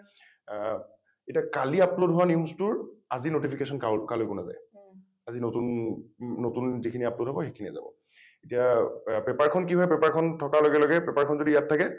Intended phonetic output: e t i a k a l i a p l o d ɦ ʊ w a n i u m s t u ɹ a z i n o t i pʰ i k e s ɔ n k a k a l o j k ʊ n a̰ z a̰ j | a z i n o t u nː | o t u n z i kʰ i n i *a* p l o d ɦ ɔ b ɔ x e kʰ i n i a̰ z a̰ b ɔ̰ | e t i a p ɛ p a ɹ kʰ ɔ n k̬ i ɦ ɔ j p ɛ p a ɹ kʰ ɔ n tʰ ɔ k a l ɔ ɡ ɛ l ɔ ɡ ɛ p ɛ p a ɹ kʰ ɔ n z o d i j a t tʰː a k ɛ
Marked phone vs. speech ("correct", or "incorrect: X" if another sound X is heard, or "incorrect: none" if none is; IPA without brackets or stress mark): correct